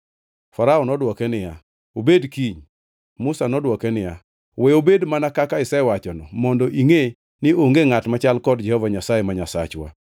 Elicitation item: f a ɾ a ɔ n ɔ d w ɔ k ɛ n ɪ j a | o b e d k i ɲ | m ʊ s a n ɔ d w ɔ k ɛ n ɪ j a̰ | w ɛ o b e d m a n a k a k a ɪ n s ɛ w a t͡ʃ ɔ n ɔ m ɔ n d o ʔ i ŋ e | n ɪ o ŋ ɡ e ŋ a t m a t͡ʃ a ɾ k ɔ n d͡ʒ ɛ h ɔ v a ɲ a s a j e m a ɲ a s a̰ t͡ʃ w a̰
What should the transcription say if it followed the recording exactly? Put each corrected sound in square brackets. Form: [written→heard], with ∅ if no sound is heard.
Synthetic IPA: f a ɾ a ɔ n ɔ d w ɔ k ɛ n ɪ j a | o b e d k i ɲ | m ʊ s a n ɔ d w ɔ k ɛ n ɪ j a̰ | w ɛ o b e d m a n a k a k a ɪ [n→∅] s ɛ w a t͡ʃ ɔ n ɔ m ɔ n d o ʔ i ŋ e | n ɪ o ŋ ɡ e ŋ a t m a t͡ʃ a [ɾ→l] k ɔ [n→d] d͡ʒ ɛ h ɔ v a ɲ a s a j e m a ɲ a s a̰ t͡ʃ w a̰